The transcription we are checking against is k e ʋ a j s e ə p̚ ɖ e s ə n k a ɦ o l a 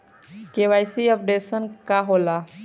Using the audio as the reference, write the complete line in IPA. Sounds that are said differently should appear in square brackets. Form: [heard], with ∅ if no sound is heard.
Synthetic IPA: k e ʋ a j s [i] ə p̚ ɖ e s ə n k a ɦ o l a